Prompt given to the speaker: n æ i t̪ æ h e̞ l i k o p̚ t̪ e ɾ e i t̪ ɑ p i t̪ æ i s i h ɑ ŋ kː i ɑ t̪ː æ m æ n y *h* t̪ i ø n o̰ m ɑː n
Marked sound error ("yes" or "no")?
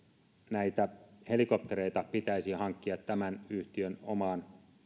no